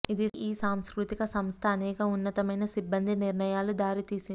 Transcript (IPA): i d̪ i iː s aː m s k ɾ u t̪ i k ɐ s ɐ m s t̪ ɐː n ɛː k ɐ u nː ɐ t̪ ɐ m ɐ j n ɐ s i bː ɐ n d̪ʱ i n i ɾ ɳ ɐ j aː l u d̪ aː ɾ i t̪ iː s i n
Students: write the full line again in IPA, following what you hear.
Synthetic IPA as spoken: i d̪ i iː s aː m s k ɾ u t̪ i k ɐ s ɐ m s t̪ʰ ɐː n ɛː k ɐ u nː ɐ t̪ ɐ m ɐ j n ɐ s i bː ɐ n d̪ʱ i n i ɾ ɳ ɐ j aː l u d̪ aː ɾ i t̪ iː s i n